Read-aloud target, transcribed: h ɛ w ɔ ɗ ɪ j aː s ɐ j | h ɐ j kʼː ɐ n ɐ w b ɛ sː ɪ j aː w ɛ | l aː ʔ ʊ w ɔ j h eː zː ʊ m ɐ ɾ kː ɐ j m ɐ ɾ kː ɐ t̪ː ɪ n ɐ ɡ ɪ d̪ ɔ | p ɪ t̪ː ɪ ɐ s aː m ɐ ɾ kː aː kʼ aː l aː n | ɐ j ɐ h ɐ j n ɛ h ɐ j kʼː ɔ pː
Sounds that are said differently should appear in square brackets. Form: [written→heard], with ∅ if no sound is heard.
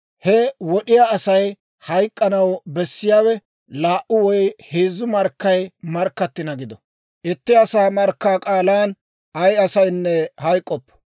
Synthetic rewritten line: h ɛ w ɔ ɗ ɪ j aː s ɐ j | h ɐ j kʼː ɐ n ɐ w b ɛ sː ɪ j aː w ɛ | l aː ʔ ʊ w ɔ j h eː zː ʊ m ɐ ɾ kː ɐ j m ɐ ɾ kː ɐ t̪ː ɪ n ɐ ɡ ɪ d̪ ɔ | [p→ʔ] ɪ t̪ː ɪ ɐ s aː m ɐ ɾ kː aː kʼ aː l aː n | ɐ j ɐ [h→s] ɐ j [n→nː] ɛ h ɐ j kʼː ɔ pː

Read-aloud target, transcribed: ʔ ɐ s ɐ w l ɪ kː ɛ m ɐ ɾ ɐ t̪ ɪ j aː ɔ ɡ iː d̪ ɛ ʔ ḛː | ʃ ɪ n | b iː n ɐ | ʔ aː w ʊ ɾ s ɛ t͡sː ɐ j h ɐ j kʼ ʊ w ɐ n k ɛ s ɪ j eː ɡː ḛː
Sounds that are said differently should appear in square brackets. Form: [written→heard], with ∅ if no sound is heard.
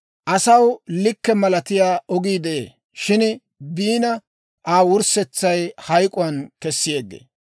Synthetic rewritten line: ʔ ɐ s ɐ w l ɪ kː ɛ m ɐ [ɾ→l] ɐ t̪ ɪ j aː ɔ ɡ iː d̪ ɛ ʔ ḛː | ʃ ɪ n | b iː n ɐ | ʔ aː w ʊ ɾ s ɛ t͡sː ɐ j h ɐ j kʼ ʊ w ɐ n k ɛ [s→sː] ɪ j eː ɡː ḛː

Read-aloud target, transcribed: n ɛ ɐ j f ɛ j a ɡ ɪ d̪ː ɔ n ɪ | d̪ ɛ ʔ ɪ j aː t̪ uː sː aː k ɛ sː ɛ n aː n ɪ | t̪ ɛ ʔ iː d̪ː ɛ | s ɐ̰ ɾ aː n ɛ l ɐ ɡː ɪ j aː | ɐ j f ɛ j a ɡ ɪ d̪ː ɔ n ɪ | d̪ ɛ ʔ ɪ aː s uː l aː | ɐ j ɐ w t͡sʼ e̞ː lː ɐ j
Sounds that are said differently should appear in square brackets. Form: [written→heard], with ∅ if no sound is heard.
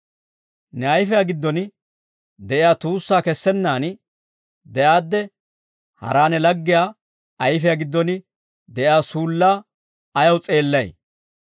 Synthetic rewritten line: n ɛ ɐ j f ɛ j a ɡ ɪ d̪ː ɔ n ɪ | d̪ ɛ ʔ ɪ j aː t̪ uː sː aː k ɛ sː ɛ [n→nː] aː n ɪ | [t̪→d̪] ɛ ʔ [iː→aː] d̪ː ɛ | [s→h] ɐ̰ ɾ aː n ɛ l ɐ ɡː ɪ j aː | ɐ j f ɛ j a ɡ ɪ d̪ː ɔ n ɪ | d̪ ɛ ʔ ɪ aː s uː [l→lː] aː | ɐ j ɐ w t͡sʼ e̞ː lː ɐ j

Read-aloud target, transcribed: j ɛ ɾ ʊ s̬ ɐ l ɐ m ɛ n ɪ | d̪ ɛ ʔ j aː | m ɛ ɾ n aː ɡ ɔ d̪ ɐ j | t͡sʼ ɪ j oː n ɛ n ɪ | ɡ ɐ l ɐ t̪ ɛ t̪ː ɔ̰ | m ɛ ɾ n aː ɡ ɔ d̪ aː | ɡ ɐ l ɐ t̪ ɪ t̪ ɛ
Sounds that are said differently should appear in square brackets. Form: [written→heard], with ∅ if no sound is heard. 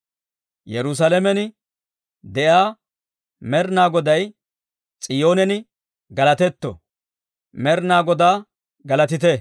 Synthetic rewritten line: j ɛ ɾ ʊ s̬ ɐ l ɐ m ɛ n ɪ | d̪ ɛ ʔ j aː | m ɛ ɾ n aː ɡ ɔ d̪ ɐ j | t͡sʼ ɪ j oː n ɛ n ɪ | ɡ ɐ l ɐ t̪ ɛ t̪ː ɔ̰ | m ɛ ɾ n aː ɡ ɔ d̪ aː | ɡ ɐ l ɐ t̪ ɪ t̪ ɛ

